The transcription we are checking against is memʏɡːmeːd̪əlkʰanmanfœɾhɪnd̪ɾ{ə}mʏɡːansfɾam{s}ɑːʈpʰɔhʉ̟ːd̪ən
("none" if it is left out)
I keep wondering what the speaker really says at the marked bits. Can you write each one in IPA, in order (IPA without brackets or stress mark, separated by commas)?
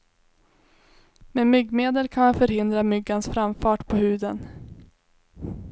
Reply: a, f